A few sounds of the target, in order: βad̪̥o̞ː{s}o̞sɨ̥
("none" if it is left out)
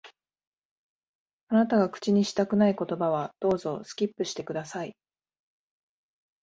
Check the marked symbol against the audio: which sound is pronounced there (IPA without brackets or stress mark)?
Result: z